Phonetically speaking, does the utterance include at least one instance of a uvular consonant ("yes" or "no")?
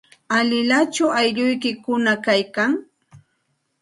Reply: no